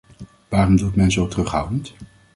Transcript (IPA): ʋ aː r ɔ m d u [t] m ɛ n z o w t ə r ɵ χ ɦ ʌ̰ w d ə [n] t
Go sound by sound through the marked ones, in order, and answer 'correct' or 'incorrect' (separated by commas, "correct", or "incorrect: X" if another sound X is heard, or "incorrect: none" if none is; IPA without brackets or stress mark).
correct, correct